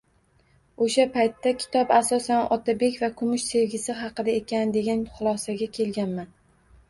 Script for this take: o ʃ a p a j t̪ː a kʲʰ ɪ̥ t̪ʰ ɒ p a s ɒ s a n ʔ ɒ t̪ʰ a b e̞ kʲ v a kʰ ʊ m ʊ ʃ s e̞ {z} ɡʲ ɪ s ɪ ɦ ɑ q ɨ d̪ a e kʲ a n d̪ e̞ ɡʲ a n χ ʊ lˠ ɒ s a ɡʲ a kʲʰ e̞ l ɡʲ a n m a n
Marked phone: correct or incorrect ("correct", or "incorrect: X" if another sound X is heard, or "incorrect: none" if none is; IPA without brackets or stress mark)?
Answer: incorrect: v